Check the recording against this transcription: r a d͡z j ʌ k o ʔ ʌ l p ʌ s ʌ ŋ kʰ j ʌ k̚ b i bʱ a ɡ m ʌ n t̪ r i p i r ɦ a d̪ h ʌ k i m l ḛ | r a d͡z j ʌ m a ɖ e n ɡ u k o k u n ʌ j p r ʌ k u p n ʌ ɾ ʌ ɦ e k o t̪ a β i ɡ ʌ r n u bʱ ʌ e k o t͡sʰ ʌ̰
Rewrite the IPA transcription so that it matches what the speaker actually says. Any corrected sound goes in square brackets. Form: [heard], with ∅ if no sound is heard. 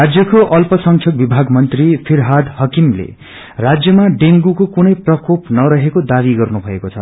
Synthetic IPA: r a d͡z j ʌ k o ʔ ʌ l p ʌ s ʌ ŋ kʰ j ʌ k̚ b i bʱ a ɡ m ʌ n t̪ r i [pʰ] i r ɦ a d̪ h ʌ k i m l ḛ | r a d͡z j ʌ m a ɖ e [ŋ] ɡ u k o k u n ʌ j p r ʌ k [o] p n ʌ ɾ ʌ ɦ e k o [d̪] a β i ɡ ʌ r n u bʱ ʌ e k o t͡sʰ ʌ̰